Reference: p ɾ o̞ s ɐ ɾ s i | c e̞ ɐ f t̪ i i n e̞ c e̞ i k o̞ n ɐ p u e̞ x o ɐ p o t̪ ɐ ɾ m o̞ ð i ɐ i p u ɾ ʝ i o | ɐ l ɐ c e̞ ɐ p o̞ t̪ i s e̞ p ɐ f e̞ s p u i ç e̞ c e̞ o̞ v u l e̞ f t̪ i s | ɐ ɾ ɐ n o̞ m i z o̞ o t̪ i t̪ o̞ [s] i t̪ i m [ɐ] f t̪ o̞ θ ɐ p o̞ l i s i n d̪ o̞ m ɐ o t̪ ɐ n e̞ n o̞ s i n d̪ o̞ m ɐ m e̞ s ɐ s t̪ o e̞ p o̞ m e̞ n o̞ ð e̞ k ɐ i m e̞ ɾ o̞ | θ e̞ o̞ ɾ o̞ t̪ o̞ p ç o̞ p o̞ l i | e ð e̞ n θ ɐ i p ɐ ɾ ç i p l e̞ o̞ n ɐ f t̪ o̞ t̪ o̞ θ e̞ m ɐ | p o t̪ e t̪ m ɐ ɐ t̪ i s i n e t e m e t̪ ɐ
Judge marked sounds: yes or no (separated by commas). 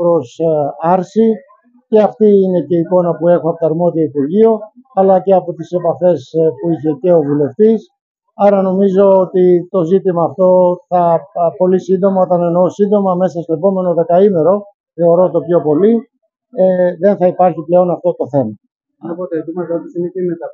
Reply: no, no